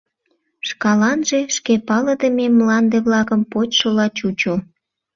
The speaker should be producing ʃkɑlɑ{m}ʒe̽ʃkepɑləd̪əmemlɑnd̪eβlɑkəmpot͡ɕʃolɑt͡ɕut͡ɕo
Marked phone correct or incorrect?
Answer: incorrect: n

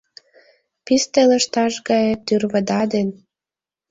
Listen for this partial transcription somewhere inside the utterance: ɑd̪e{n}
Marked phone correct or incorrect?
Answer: correct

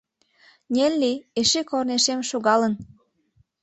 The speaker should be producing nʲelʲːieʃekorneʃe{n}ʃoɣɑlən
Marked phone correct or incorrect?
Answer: incorrect: m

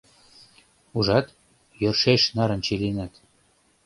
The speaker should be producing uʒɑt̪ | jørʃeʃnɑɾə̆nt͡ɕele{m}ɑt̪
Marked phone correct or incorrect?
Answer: incorrect: n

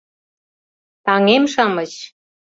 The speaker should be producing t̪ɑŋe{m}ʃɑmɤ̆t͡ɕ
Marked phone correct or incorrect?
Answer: correct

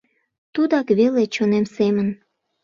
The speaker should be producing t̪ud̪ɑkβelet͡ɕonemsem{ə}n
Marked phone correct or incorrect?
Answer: correct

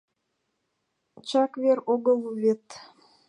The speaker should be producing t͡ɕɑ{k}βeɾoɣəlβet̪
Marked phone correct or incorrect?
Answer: correct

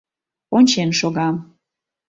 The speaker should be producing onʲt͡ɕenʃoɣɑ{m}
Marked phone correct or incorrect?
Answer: correct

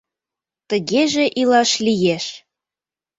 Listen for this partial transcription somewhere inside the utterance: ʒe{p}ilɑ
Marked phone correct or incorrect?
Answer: incorrect: ʔ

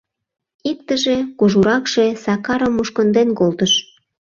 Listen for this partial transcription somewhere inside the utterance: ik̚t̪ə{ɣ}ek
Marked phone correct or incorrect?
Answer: incorrect: ʒ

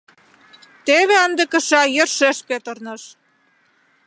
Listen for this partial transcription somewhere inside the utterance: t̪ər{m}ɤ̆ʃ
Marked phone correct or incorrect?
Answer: incorrect: n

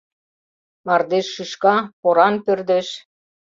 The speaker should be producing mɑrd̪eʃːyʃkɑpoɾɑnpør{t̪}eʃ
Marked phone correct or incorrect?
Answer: incorrect: d̪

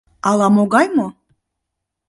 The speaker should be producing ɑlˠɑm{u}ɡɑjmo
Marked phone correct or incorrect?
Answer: incorrect: o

